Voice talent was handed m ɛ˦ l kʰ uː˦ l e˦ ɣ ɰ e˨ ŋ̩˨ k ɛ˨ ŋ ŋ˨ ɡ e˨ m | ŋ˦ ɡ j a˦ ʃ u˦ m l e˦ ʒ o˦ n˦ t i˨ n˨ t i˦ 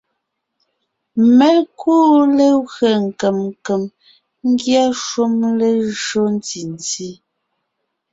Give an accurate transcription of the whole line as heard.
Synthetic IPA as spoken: m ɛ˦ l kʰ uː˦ l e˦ ɣ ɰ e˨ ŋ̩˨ k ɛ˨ m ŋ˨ k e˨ m | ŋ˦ ɡ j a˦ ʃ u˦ m l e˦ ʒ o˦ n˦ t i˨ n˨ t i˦